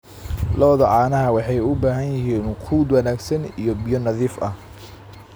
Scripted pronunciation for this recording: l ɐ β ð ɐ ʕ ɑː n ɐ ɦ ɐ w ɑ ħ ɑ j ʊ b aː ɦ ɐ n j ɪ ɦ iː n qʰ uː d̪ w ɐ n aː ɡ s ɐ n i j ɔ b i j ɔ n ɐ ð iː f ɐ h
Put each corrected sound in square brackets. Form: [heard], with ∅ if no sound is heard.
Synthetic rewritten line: l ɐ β ð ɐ ʕ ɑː n ɐ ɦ ɐ w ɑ ħ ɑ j ʊ b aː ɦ ɐ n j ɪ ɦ iː n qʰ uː d̪ w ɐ n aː ɡ s ɐ n i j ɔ b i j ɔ n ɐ ð iː f ɐ h